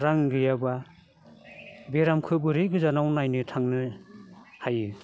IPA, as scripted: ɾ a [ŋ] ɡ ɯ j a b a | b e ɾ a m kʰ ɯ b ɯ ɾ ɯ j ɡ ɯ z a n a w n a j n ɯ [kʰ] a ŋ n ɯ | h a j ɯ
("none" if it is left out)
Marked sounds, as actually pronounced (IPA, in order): ŋ, tʰ

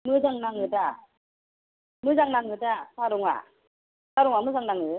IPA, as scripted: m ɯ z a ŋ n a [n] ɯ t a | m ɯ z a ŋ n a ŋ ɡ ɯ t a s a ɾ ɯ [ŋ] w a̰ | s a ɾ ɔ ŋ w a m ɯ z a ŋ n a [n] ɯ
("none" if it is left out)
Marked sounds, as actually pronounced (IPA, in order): ŋ, ŋ, ŋ

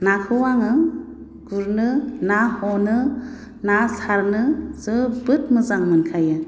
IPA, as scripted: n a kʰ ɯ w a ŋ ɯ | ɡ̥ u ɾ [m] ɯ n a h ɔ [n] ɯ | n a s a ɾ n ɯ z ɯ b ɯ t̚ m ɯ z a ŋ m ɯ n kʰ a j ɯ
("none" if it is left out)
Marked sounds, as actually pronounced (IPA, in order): n, n

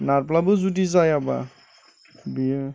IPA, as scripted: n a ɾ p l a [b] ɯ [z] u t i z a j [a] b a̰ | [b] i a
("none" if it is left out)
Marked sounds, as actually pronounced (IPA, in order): b, z, a, b

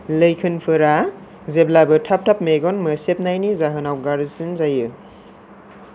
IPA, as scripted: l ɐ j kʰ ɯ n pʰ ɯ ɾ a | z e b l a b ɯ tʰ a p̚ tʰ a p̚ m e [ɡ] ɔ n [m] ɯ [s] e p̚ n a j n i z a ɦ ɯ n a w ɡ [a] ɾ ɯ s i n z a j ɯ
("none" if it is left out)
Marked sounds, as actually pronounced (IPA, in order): ɡ, m, s, a

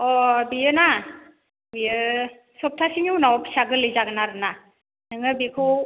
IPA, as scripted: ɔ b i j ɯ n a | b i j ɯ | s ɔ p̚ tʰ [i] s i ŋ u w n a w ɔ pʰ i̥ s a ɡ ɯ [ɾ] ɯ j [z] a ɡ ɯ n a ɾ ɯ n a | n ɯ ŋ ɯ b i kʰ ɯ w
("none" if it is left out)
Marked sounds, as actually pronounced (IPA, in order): a, l, z

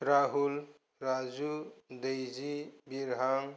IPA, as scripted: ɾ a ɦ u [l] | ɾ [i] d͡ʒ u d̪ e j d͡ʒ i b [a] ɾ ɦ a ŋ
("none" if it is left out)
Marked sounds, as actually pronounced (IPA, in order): l, a, i

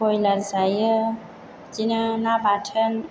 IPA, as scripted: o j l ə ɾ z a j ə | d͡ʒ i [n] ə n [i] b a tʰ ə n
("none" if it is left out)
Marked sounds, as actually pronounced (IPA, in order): n, a

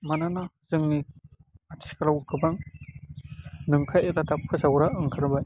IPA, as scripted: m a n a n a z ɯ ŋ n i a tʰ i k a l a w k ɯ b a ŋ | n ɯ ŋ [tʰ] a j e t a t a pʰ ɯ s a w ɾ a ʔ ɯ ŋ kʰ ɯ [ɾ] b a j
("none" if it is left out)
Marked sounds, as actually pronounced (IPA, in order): kʰ, ɾ

